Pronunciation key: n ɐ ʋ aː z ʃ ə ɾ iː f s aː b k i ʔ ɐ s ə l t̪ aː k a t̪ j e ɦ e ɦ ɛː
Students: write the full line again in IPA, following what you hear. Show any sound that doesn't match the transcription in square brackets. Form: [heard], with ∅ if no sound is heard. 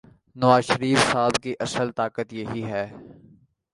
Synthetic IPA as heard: n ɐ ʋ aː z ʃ ə ɾ iː f s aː b k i ʔ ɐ s ə l t̪ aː k [ə] t̪ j e ɦ [i] ɦ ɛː